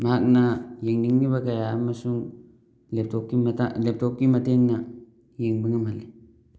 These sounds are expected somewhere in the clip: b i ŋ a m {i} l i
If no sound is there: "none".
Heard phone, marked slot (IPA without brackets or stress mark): a